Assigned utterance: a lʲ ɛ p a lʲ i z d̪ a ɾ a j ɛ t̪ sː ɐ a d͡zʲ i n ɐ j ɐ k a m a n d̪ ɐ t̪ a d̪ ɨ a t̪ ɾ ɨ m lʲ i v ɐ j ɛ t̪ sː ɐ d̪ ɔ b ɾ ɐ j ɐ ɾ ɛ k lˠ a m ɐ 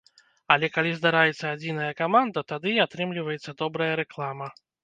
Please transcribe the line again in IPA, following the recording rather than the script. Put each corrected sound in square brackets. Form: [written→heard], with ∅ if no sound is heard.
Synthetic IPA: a lʲ ɛ [p→k] a lʲ i z d̪ a ɾ a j ɛ t̪ sː ɐ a d͡zʲ i n ɐ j ɐ k a m a n d̪ ɐ t̪ a d̪ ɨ a t̪ ɾ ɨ m lʲ i v ɐ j ɛ t̪ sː ɐ d̪ ɔ b ɾ ɐ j ɐ ɾ ɛ k lˠ a m ɐ